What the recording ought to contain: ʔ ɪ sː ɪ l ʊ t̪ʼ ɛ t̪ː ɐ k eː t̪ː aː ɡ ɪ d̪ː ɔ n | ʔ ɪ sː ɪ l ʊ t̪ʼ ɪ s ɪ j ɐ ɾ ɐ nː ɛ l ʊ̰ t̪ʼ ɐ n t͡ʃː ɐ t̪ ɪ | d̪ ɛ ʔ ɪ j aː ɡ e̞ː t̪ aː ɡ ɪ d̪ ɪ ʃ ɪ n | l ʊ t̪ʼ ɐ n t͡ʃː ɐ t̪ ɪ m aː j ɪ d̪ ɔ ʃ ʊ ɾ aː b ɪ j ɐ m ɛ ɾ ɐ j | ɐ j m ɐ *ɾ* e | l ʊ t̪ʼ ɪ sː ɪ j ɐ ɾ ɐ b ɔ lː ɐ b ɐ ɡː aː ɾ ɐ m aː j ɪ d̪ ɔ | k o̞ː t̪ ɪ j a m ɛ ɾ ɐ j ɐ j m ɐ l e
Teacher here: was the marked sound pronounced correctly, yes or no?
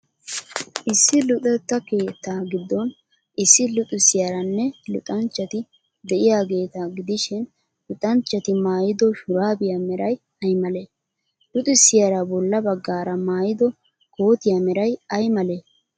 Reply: no